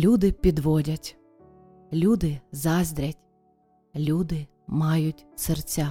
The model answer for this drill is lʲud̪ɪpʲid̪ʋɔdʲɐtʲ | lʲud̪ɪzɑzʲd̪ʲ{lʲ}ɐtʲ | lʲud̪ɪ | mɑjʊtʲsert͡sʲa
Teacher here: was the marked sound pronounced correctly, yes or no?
no